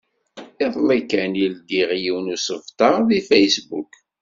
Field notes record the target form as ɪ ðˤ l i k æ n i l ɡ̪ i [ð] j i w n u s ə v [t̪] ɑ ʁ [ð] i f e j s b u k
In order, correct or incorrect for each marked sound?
incorrect, correct, correct

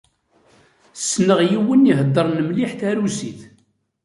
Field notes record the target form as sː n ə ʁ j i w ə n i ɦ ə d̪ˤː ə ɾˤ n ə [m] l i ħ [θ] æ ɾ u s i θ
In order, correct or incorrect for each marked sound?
correct, correct

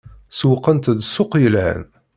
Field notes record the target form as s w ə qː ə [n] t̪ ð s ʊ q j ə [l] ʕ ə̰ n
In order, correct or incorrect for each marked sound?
correct, correct

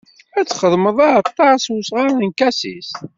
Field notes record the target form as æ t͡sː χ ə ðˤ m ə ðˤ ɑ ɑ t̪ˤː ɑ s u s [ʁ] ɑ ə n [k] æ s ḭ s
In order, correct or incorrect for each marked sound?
correct, correct

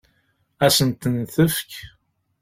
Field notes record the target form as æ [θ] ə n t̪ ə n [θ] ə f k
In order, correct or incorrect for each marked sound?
incorrect, correct

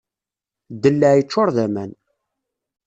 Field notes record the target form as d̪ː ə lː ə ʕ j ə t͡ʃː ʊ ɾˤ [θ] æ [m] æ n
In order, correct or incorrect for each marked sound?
incorrect, correct

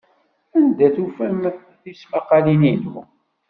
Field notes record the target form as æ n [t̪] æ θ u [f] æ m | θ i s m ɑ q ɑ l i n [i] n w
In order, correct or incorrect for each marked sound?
incorrect, correct, correct

